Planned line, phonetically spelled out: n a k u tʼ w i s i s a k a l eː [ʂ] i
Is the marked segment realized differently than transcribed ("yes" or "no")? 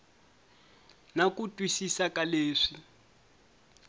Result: no